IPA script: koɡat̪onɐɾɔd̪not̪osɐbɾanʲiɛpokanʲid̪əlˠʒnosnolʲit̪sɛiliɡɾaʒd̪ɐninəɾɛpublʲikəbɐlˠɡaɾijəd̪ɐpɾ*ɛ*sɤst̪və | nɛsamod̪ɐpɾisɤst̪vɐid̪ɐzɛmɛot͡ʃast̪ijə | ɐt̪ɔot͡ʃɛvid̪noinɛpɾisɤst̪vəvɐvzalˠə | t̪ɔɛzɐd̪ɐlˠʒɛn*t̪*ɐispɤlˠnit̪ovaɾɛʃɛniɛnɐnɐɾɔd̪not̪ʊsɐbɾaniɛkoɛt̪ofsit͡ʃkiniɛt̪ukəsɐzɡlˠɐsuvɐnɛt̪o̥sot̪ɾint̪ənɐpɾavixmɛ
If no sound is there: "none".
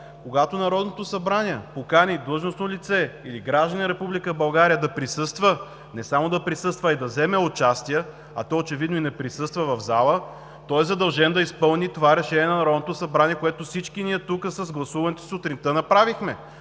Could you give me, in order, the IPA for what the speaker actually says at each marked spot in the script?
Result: i, d̪

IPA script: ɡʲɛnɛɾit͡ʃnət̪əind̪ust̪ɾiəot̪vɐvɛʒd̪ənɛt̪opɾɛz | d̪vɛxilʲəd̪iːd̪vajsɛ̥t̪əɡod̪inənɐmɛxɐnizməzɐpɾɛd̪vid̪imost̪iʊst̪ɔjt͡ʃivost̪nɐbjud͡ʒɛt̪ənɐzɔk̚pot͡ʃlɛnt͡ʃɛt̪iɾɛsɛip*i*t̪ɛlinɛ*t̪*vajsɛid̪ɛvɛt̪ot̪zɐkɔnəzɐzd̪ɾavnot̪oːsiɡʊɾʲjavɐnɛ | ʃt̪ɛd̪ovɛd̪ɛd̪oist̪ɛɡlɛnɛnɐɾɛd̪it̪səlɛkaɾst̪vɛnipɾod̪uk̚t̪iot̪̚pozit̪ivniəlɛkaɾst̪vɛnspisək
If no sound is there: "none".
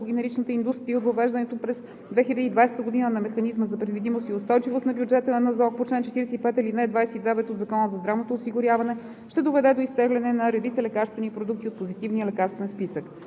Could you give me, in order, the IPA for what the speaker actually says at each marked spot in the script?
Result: ɛ, d̪

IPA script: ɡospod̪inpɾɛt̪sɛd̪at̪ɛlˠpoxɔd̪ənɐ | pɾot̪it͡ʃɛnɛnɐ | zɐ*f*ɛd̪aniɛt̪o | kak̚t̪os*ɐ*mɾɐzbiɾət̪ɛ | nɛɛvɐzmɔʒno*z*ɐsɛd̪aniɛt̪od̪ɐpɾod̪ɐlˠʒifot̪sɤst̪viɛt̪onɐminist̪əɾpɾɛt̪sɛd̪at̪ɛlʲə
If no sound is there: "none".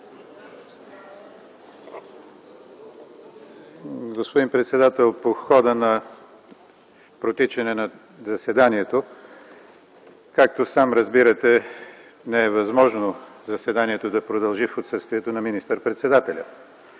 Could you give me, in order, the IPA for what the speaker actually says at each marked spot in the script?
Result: s, a, z

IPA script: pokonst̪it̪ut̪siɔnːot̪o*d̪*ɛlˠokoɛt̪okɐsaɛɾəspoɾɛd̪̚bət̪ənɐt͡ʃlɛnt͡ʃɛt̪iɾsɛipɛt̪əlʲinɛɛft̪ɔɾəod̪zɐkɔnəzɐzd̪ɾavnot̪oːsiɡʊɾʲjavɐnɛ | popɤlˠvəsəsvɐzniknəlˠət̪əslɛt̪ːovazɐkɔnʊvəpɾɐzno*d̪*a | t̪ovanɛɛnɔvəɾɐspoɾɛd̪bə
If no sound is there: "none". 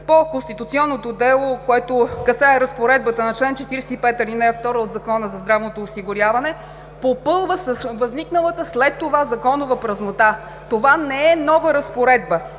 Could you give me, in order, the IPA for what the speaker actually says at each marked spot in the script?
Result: d̪, t̪

